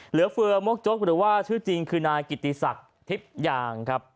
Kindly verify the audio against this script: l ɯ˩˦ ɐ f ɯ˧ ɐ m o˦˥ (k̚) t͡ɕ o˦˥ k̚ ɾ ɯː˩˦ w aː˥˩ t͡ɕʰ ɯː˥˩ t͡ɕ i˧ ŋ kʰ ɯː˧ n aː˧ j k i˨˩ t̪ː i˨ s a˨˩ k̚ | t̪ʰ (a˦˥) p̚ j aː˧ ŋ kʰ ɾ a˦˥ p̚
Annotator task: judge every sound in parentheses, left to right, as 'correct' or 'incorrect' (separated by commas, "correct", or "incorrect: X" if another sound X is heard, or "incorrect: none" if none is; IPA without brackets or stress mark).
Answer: correct, incorrect: i˦˥